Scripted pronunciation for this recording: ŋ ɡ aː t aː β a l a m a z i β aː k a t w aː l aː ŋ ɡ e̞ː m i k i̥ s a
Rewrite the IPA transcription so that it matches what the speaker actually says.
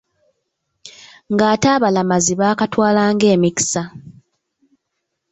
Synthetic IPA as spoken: ŋ ɡ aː t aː β a l a m a z i β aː k a t w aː l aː ŋ ɡ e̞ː m i k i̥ s a